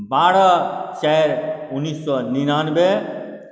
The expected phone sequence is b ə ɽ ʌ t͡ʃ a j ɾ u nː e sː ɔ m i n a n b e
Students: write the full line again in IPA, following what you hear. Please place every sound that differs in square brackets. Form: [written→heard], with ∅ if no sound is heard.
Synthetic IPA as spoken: b [ə→a] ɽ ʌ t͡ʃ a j ɾ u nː [e→i] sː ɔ [m→n] i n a n b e